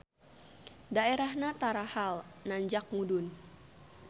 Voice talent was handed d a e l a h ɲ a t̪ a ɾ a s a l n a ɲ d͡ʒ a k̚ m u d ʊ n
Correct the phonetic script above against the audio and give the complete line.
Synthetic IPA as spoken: d a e ɾ a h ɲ a t̪ a ɾ a h a l n a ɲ d͡ʒ a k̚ m u d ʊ n

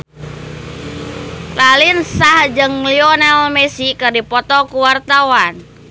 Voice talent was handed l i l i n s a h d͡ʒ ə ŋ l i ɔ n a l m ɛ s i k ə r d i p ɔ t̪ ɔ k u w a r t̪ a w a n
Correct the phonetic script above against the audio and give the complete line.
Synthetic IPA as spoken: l a l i n s a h d͡ʒ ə ŋ l i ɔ n a l m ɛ s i k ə r d i p ɔ t̪ ɔ k u w a r t̪ a w a n

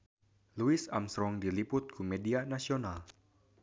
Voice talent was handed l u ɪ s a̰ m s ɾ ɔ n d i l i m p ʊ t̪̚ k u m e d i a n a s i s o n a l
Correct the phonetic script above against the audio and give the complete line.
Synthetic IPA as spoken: l u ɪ s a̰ m s ɾ ɔ ŋ d i l i p ʊ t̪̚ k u m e d i a n a s i o n a l

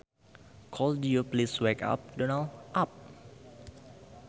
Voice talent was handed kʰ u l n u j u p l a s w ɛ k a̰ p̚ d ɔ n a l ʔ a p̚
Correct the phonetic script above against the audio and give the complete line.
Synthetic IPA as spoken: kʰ ɔ l d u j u p l i s w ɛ k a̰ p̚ d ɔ n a l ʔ a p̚

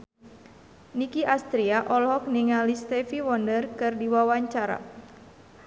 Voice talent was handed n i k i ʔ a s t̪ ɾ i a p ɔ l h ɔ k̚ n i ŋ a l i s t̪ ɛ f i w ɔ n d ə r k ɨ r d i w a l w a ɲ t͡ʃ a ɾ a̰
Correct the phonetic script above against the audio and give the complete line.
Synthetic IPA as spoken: n i k i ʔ a s t̪ ɾ i a ʔ ɔ l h ɔ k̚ n i ŋ a l i s t̪ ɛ f i w ɔ n d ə r k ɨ r d i w a w a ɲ t͡ʃ a ɾ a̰

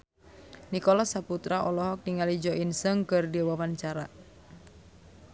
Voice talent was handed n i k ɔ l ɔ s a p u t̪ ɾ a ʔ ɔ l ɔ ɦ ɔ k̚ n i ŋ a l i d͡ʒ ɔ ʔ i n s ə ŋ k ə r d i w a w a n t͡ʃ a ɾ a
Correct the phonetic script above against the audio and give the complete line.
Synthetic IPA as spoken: n i k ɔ l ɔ s a p u t̪ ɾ a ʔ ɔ l ɔ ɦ ɔ k̚ n i ŋ a l i d͡ʒ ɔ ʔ i n s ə ŋ k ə r d i w a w a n t͡ʃ a ɾ a

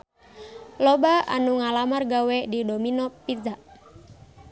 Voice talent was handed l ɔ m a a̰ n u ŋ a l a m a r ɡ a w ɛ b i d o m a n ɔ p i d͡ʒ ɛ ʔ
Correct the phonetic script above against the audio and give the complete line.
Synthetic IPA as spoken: l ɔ b a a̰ n u ŋ a l a m a r ɡ a w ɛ d i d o m i n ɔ p i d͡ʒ a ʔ

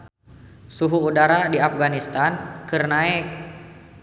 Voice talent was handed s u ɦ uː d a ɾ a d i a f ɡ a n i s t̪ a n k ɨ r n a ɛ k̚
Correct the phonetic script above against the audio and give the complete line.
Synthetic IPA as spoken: s u ɦ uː d a ɾ a d i a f ɡ a n i s t̪ a n k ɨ r n a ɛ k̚

